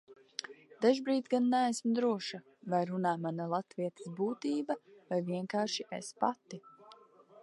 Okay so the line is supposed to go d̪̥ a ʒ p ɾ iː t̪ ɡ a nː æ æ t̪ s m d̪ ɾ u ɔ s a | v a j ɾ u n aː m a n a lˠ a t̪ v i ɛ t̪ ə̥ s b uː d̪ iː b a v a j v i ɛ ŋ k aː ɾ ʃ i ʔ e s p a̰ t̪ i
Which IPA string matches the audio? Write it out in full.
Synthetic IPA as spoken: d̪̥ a ʒ b ɾ iː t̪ ɡ a nː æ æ s m d̪ ɾ u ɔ ʃ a | v a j ɾ u n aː m a n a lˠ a t̪ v i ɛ t̪ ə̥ s b uː t̪ iː b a v a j v i ɛ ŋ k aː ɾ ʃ i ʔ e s p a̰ t̪ i